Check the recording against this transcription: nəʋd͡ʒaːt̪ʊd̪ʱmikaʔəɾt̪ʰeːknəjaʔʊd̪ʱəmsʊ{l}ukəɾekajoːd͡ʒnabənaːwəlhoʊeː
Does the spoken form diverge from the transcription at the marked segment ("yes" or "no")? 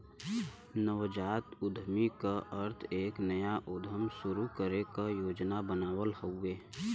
yes